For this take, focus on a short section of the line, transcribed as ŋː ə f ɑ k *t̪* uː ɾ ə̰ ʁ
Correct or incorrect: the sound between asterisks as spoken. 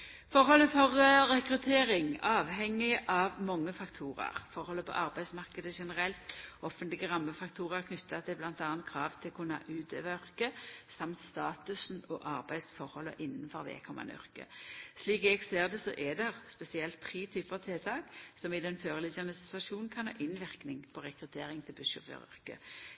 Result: incorrect: t̪ʰ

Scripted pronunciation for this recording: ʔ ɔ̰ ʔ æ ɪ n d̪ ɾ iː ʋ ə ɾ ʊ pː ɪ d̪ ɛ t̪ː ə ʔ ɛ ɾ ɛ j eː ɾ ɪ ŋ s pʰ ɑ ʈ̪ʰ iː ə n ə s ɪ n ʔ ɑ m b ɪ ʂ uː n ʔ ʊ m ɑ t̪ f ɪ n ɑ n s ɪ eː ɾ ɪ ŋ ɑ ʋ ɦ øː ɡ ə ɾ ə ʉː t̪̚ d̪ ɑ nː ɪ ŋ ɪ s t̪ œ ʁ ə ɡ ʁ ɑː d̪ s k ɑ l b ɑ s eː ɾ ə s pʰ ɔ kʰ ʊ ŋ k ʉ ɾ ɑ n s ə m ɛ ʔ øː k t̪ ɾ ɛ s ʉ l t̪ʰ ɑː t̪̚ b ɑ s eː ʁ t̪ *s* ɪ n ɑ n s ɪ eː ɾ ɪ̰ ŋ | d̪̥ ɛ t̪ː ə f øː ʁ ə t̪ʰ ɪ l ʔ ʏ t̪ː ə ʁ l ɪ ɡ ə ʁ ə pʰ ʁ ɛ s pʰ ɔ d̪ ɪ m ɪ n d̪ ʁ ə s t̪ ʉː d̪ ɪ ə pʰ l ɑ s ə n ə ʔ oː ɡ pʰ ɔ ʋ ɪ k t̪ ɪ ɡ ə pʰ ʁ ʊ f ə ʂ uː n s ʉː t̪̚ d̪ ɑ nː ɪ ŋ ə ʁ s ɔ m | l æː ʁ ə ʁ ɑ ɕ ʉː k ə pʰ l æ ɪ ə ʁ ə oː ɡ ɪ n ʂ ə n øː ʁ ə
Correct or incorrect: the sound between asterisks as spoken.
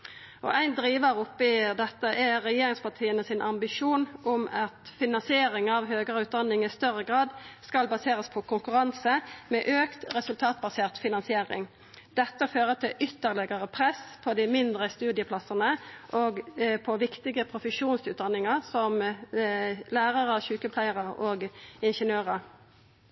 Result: incorrect: f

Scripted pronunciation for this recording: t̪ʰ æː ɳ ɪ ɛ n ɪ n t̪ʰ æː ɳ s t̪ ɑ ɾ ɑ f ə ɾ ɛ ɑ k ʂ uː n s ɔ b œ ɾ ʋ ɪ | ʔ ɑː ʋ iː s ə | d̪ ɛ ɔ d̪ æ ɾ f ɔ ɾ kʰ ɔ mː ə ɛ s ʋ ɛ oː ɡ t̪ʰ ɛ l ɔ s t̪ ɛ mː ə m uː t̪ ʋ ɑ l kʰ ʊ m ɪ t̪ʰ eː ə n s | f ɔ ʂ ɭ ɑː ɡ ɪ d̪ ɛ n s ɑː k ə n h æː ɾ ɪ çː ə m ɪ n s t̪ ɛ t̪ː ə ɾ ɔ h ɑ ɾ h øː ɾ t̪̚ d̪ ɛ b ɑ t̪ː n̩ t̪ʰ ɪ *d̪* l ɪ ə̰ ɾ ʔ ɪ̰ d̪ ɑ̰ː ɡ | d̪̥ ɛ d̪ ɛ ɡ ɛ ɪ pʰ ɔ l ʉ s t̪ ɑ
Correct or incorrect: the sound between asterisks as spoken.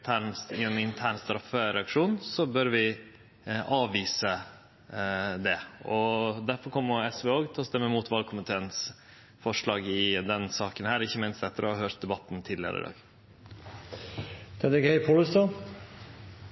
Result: correct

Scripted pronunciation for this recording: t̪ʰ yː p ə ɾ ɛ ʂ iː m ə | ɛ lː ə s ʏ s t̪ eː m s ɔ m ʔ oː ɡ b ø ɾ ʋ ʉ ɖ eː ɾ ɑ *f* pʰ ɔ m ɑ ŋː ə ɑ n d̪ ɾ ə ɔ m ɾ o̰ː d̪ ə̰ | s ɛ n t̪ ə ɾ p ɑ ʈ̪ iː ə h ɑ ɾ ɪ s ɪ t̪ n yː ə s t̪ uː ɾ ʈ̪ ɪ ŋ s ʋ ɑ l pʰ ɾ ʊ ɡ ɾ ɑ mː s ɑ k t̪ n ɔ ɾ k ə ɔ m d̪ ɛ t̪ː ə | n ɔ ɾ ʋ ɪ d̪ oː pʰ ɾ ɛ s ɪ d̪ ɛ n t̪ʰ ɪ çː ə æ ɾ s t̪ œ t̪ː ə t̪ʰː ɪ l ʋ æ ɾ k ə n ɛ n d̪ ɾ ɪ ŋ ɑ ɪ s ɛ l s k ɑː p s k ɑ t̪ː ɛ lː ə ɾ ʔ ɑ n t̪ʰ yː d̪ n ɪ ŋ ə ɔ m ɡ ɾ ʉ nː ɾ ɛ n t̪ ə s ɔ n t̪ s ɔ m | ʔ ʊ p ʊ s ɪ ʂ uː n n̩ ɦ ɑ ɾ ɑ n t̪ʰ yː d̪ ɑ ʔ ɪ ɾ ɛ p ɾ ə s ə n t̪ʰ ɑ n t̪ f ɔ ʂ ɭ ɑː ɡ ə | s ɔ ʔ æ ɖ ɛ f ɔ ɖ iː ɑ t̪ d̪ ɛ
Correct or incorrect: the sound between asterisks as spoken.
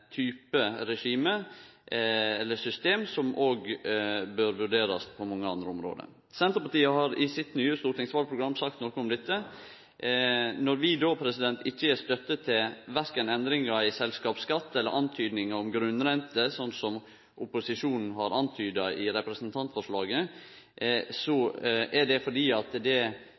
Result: incorrect: s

